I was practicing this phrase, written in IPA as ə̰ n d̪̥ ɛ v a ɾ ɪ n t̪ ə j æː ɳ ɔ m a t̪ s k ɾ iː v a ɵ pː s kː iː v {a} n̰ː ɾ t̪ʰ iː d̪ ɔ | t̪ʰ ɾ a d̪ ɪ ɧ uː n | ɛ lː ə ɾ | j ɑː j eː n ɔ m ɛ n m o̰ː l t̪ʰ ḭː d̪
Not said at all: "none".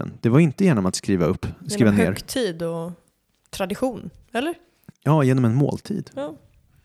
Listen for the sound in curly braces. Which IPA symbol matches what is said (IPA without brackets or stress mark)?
a